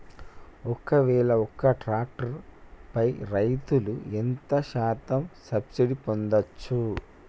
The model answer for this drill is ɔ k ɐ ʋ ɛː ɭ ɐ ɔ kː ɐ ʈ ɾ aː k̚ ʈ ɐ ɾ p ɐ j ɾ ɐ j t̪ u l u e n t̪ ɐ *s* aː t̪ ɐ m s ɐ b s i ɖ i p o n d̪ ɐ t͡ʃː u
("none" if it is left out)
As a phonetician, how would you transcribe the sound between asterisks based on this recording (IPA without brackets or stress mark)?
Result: ʃ